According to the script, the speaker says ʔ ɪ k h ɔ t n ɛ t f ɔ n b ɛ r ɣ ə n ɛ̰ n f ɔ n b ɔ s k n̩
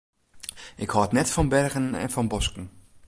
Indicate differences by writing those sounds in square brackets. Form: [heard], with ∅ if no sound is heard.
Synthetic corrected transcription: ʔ ɪ k h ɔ t n ɛ t f ɔ n b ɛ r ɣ ə n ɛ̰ n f ɔ n b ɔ s k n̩

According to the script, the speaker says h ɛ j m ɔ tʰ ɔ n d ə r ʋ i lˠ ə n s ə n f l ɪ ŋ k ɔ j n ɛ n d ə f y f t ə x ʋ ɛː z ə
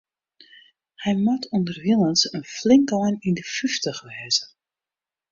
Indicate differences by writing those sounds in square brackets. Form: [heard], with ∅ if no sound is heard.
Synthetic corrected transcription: h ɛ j m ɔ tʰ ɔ n d ə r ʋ i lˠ ə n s ə n f l ɪ ŋ k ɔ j n [i] n d ə f y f t ə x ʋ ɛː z ə

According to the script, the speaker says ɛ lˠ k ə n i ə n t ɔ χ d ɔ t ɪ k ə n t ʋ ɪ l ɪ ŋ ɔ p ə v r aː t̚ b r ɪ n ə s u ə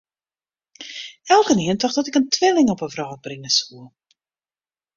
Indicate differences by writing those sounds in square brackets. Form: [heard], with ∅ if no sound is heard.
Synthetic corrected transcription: ɛ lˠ k ə n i ə n t ɔ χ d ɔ t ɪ k ə n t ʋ ɪ l ɪ ŋ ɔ p ə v r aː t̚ b r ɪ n ə s u ə

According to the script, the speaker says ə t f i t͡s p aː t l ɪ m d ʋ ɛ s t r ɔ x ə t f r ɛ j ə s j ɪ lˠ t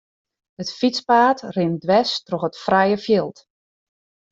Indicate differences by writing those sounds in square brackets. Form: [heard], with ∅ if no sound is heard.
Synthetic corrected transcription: ə t f i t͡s p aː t [r] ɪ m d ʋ ɛ s t r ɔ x ə t f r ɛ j ə [f] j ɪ lˠ t

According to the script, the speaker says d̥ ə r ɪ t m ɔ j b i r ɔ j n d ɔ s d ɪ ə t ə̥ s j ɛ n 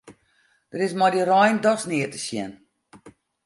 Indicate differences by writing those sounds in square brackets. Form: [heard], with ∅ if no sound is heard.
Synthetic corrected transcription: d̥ ə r ɪ [s] m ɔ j [d] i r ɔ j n d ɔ s [n] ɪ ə t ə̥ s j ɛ n

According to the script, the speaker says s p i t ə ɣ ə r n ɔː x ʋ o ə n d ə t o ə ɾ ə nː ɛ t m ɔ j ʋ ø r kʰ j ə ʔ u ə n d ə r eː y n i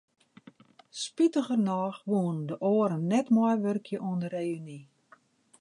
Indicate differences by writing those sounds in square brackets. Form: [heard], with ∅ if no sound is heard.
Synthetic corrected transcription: s p i t ə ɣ ə r n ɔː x ʋ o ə n d ə [ʔ] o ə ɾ ə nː ɛ t m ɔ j ʋ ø r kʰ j ə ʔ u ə n d ə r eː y n i

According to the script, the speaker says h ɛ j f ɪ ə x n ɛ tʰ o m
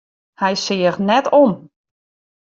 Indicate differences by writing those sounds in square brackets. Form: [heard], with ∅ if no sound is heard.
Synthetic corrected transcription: h ɛ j [s] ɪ ə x n ɛ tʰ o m

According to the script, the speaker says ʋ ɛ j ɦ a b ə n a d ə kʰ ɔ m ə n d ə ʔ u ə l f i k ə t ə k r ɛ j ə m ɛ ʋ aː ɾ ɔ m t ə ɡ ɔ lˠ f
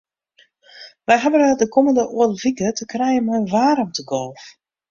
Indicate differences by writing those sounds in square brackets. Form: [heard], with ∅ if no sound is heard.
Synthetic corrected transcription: ʋ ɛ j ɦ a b ə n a d ə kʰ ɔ m ə n d ə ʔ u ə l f i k ə t ə k r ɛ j ə m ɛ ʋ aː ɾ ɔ m t ə ɡ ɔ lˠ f

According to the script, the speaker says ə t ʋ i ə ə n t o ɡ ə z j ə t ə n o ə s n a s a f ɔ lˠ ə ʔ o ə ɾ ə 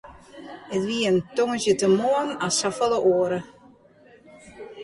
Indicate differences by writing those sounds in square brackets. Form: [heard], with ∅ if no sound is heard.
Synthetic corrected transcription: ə t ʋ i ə ə n t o [ŋ] ə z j ə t ə [m] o ə [∅] n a s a f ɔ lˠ ə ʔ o ə ɾ ə

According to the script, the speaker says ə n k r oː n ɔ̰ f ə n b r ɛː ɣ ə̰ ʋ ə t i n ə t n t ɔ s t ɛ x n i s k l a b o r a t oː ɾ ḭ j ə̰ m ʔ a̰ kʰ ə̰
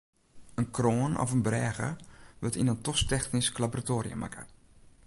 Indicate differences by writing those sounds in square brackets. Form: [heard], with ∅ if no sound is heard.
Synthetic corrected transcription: ə n k r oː n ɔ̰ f ə n b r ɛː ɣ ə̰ ʋ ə t i n ə [∅] n t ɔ s t ɛ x n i s k l a b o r a t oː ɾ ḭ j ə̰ m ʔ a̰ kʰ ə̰

